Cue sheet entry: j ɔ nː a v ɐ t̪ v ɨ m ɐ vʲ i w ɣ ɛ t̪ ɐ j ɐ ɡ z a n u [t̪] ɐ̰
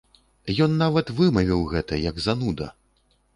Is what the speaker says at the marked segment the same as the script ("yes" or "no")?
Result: no